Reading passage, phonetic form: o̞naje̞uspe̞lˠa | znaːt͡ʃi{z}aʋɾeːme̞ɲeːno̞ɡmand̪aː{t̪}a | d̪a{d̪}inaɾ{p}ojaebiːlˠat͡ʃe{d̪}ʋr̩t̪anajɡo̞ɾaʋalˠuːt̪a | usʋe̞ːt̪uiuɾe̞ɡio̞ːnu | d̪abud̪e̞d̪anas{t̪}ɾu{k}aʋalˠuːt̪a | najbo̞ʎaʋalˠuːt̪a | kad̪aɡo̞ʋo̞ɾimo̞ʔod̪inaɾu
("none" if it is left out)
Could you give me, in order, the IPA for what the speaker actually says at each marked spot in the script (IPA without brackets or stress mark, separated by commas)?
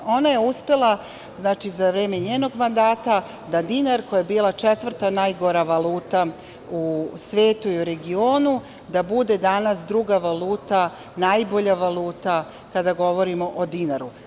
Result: z, t̪, d̪, k, t̪, d̪, ɡ